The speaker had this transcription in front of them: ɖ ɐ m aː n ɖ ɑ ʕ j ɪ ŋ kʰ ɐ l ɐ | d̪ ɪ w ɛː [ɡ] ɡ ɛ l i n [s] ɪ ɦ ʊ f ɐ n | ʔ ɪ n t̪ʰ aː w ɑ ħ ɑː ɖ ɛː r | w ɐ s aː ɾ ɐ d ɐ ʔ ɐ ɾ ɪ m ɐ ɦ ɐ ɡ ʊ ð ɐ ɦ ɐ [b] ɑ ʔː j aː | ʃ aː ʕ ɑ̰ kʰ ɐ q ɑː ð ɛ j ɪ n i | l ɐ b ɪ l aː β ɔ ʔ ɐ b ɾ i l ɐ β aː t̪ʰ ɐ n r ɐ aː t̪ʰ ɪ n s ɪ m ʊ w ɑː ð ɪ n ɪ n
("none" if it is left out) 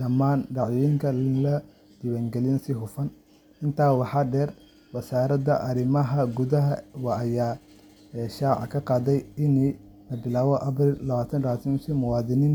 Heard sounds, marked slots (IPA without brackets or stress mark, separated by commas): ŋ, s, w